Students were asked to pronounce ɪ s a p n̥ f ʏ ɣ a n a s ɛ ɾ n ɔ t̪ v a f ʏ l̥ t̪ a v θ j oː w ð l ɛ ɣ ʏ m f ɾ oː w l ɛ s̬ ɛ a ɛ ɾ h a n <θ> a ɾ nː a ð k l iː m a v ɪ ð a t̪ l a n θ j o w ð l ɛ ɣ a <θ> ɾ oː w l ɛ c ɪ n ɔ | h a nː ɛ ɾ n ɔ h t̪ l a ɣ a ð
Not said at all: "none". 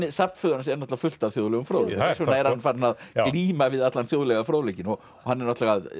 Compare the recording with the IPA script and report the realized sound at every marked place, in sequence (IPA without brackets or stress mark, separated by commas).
f, f